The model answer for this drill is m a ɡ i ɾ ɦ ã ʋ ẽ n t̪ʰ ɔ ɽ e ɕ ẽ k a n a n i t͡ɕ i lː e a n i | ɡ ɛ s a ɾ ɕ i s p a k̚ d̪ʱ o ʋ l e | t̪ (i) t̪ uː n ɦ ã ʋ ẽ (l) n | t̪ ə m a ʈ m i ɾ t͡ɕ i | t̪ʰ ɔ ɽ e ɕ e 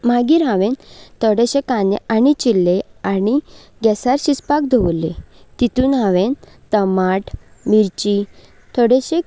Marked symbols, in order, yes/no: yes, no

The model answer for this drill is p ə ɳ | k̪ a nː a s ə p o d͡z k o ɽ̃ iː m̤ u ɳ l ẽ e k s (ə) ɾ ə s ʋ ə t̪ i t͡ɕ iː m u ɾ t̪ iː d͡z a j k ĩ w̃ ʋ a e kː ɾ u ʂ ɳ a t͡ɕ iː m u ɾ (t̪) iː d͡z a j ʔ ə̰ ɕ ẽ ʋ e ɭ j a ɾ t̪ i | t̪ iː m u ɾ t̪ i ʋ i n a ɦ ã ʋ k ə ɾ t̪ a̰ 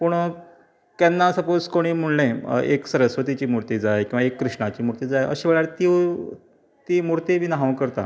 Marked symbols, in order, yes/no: yes, yes

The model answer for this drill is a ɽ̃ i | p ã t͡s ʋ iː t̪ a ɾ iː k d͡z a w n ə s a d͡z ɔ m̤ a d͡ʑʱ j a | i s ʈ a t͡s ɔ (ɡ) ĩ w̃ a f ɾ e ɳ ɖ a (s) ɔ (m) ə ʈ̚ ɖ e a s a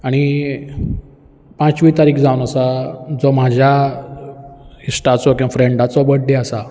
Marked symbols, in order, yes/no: no, no, no

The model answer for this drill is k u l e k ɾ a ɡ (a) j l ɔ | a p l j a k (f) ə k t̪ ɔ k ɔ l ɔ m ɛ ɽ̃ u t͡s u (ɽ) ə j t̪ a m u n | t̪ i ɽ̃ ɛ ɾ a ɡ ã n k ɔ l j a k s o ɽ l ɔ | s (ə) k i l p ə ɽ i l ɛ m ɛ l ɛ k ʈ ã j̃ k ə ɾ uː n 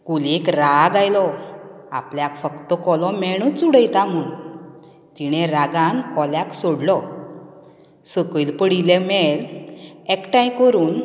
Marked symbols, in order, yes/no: yes, yes, yes, yes

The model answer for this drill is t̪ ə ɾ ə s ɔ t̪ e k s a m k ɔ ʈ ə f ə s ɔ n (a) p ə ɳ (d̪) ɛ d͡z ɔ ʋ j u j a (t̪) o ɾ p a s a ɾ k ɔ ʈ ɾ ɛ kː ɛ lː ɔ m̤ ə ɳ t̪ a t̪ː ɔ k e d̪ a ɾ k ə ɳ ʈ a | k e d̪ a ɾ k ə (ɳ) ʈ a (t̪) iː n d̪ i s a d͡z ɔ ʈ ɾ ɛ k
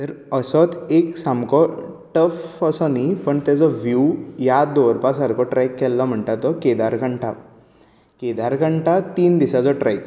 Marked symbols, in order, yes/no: no, no, no, yes, yes

